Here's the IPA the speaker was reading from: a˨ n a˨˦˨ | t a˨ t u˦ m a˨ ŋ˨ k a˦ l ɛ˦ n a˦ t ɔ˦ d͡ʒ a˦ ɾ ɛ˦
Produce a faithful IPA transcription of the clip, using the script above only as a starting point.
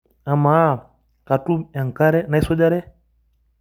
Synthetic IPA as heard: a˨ m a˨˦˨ | k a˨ t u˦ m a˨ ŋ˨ k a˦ ɾ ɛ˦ n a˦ s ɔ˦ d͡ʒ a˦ ɾ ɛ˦